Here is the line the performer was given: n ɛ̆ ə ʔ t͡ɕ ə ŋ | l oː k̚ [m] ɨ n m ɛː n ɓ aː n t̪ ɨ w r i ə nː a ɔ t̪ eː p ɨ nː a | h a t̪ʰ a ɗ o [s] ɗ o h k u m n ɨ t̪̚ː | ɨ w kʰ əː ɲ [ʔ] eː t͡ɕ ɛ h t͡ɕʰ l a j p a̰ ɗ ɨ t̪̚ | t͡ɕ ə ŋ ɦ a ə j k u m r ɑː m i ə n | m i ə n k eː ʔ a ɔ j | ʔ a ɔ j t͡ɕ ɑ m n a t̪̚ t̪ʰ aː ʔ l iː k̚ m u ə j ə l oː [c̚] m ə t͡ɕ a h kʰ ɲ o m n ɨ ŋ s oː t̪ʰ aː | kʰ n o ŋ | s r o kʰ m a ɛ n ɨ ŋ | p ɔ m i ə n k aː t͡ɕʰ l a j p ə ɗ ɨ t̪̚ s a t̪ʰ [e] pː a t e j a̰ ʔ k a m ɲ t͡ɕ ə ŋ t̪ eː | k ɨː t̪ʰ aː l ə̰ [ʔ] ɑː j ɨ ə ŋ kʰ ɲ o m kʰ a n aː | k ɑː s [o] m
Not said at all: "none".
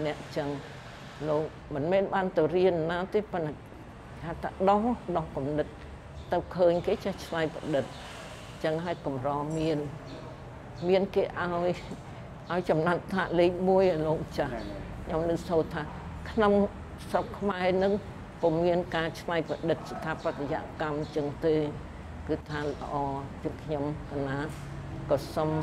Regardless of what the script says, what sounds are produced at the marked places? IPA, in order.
m, h, k, k̚, a, ʔ, o

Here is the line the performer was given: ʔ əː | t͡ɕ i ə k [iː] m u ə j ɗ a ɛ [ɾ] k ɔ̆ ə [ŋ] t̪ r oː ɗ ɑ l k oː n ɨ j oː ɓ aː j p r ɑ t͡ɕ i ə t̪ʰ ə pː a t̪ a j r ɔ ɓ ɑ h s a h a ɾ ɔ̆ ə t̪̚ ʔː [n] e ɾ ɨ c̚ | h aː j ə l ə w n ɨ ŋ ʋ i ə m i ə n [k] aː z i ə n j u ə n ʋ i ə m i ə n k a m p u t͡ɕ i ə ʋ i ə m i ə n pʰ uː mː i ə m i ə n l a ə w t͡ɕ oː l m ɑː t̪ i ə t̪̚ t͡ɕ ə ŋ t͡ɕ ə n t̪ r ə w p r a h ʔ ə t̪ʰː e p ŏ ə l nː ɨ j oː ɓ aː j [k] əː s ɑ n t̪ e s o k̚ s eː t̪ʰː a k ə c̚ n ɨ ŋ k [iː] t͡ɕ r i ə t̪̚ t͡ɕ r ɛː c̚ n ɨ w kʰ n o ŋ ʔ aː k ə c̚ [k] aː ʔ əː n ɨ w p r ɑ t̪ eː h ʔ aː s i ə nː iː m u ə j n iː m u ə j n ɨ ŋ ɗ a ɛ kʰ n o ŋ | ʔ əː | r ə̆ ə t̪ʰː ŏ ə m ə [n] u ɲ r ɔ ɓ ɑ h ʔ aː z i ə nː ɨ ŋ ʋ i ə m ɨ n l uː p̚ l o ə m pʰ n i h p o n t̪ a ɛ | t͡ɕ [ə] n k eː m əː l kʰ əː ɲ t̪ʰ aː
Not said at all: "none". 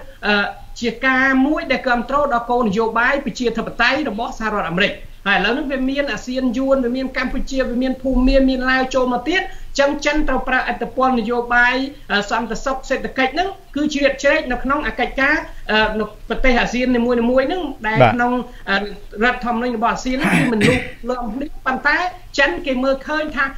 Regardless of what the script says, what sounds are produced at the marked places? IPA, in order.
aː, l, m, m, ʔ, ʔ, ɨː, k, n, ə

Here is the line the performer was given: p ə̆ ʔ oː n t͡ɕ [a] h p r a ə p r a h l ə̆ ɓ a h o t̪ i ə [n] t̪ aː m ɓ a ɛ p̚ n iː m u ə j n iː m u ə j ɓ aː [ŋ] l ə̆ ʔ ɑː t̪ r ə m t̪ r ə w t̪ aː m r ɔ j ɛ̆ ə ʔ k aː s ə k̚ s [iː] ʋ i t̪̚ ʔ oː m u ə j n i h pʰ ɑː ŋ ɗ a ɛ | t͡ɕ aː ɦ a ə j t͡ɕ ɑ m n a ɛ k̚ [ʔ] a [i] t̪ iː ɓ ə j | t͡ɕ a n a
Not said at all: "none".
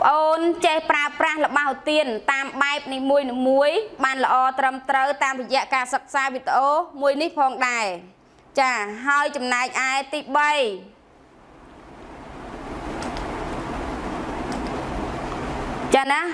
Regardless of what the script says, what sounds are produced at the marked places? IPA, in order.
e, n, n, aː, ʔ, ɛ

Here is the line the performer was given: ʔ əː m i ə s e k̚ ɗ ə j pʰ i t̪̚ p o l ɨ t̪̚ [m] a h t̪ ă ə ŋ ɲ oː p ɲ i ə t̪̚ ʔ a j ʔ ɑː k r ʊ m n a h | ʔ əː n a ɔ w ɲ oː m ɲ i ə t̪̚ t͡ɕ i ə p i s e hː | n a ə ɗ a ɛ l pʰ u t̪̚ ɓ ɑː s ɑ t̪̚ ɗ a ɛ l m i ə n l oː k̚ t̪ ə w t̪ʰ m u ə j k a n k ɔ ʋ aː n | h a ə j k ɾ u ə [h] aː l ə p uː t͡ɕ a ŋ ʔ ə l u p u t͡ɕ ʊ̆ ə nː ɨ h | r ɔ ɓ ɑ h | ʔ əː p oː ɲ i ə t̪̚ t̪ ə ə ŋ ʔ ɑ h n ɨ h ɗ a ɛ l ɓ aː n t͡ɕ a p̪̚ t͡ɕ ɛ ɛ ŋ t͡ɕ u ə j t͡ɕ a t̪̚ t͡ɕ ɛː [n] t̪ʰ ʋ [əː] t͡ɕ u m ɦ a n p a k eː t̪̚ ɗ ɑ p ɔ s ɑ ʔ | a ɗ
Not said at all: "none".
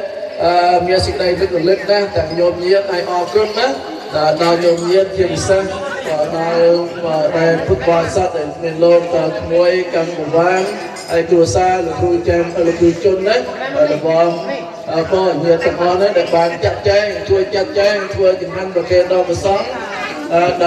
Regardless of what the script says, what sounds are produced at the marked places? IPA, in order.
n, s, ŋ, əː

